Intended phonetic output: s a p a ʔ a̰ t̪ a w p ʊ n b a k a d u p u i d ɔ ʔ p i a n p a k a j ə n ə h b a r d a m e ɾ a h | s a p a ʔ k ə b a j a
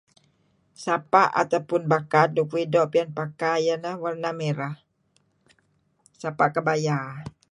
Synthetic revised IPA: s a p a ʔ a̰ t̪ a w p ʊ n b a k a d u k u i d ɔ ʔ p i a n p a k a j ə n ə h w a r n a m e ɾ a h | s a p a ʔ k ə b a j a